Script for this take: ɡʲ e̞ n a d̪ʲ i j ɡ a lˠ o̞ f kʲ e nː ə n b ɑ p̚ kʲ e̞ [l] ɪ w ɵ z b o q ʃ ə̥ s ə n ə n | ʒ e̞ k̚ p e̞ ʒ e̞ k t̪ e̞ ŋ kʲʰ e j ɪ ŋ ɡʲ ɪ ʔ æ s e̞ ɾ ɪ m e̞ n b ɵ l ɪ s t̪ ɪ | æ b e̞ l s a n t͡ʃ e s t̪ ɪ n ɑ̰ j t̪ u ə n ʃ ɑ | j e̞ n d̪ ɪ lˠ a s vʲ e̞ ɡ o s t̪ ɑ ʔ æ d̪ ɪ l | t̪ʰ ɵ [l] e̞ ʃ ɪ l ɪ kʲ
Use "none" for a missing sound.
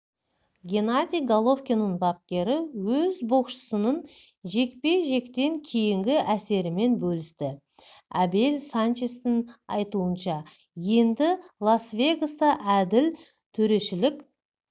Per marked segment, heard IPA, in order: ɾ, ɾ

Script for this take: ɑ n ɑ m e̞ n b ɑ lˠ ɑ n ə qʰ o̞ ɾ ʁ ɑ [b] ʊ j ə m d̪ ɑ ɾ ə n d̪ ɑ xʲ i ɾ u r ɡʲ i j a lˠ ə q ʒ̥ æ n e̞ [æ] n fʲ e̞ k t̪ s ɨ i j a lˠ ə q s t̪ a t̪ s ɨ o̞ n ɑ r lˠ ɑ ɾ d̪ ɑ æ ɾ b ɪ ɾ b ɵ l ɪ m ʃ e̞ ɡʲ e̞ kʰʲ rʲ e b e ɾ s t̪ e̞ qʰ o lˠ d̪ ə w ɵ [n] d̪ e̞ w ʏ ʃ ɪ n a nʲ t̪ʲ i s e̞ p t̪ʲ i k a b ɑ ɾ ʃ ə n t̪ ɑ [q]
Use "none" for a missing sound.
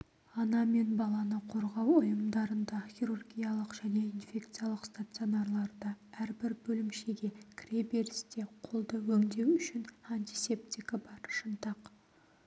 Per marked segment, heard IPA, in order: w, i, ŋ, q

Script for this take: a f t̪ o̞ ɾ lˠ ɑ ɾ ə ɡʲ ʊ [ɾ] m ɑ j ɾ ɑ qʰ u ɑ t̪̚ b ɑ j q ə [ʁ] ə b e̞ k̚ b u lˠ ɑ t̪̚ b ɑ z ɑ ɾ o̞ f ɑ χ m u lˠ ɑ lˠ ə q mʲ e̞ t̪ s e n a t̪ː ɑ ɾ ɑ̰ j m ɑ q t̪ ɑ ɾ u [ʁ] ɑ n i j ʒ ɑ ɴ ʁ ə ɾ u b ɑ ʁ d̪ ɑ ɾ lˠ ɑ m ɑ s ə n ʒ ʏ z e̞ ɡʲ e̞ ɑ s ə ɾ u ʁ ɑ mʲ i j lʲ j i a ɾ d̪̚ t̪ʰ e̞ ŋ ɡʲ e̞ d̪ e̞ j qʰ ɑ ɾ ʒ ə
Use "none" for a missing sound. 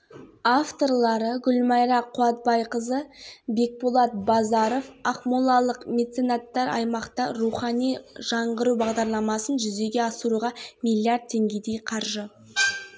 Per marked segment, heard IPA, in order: l, z, χ

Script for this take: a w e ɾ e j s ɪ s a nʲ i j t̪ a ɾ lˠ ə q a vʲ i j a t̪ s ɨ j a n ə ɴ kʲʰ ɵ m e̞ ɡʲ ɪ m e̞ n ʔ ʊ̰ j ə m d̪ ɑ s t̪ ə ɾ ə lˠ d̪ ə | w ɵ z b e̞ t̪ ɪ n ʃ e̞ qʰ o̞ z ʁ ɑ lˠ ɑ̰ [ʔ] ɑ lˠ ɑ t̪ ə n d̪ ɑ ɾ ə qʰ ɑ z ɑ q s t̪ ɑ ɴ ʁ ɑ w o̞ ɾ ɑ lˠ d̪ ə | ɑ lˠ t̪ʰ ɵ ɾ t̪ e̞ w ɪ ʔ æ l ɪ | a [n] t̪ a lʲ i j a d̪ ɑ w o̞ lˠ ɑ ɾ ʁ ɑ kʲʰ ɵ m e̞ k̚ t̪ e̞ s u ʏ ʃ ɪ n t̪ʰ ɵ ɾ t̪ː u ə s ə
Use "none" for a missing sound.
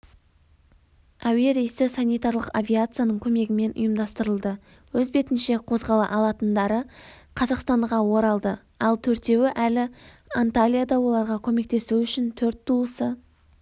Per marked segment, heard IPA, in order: ʔ, n

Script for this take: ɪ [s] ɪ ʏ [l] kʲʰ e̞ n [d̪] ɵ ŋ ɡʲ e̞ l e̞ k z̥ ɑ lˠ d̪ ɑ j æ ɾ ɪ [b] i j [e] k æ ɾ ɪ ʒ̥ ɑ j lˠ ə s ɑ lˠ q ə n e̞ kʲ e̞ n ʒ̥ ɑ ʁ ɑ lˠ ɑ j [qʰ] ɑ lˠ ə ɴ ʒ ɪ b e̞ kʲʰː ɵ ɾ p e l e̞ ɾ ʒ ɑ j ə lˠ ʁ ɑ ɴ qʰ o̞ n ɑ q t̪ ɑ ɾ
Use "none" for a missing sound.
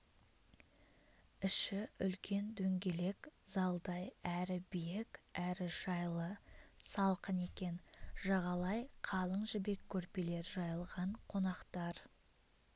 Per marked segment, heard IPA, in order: ʃ, l, d̪, b, e, qʰ

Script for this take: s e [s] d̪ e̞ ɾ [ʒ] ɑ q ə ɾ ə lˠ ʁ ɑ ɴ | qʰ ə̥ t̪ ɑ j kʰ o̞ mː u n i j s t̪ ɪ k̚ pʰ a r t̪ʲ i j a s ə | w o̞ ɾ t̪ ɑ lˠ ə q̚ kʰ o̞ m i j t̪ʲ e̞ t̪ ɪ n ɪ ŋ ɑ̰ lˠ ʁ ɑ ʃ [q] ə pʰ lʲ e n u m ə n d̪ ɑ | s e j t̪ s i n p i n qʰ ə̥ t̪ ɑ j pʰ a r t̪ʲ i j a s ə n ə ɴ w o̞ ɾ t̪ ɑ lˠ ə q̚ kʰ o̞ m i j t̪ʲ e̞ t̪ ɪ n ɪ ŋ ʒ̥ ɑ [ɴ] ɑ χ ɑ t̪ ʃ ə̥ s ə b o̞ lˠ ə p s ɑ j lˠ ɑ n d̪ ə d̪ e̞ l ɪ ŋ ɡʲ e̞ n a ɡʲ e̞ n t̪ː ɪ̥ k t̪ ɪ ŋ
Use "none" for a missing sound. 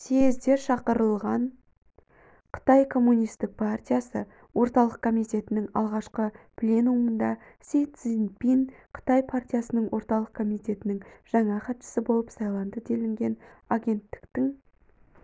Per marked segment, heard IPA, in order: z, ʃ, q, ɴ

